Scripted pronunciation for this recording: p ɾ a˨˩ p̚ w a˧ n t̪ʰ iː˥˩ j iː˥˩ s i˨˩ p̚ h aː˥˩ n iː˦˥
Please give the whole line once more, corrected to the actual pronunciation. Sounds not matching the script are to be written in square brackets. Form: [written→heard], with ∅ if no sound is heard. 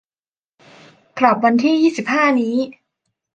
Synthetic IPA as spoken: [p→k] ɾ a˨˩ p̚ w a˧ n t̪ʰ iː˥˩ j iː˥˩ s i˨˩ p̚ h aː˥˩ n iː˦˥